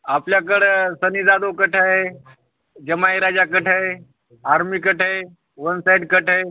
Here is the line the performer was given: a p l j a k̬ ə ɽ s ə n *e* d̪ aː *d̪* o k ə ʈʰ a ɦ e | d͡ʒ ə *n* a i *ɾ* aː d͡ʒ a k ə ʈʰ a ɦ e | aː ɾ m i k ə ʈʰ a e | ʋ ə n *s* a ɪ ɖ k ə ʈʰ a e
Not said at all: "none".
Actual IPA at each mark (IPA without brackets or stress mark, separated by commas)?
i, d̪, m, ɾ, s